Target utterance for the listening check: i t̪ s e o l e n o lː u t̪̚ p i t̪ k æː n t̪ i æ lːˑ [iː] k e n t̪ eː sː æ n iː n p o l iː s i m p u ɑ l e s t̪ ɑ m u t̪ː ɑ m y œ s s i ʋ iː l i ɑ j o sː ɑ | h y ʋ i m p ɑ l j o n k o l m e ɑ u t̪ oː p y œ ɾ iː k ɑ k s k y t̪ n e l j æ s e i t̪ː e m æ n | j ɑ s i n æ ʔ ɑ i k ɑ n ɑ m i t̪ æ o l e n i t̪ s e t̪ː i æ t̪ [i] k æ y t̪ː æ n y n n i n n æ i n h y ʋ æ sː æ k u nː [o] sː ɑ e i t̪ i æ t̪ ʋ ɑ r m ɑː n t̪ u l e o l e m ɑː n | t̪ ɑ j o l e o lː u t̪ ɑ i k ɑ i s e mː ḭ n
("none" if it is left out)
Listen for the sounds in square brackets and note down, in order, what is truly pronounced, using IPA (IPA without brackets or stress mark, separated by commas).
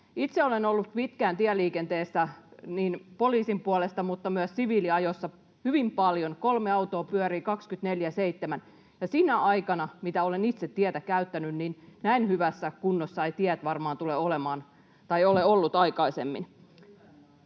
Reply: iː, æ, o